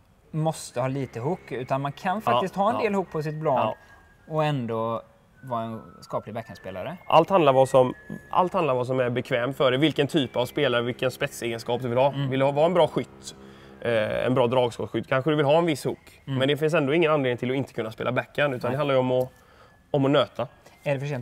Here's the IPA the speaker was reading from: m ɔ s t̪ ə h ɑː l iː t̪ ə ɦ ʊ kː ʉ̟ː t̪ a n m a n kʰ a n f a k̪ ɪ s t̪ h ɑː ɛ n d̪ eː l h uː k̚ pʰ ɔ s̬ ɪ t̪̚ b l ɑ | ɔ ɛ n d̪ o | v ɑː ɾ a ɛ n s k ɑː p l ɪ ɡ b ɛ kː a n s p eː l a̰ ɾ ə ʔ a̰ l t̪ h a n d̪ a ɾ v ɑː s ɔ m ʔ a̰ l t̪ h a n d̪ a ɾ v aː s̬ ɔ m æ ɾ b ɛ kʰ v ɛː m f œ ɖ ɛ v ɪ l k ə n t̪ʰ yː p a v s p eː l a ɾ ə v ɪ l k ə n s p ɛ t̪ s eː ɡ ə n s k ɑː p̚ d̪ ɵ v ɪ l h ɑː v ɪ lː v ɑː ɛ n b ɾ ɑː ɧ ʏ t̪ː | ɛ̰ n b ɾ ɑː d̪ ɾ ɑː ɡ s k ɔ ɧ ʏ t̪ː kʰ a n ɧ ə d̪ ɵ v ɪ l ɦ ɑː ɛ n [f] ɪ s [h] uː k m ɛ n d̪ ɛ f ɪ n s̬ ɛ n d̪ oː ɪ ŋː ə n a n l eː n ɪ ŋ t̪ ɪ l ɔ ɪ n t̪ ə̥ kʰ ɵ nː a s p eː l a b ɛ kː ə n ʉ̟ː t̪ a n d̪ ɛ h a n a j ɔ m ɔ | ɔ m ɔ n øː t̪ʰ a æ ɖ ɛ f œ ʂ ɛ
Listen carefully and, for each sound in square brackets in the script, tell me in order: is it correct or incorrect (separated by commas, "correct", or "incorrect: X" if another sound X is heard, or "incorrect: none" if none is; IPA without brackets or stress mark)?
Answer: incorrect: v, correct